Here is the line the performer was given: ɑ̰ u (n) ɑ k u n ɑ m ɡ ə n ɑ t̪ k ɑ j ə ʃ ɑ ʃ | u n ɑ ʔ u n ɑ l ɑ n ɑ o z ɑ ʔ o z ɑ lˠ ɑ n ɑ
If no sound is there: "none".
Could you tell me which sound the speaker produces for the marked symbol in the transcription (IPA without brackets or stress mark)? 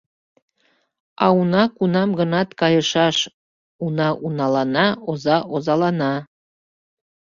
n